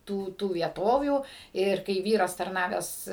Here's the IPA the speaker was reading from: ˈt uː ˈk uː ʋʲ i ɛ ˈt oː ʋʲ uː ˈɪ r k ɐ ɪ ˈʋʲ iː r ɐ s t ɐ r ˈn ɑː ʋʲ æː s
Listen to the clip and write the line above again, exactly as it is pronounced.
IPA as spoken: ˈt uː ˈt uː ʋʲ i ɛ ˈt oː ʋʲ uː ˈɪ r k ɐ ɪ ˈʋʲ iː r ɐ s t ɐ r ˈn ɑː ʋʲ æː s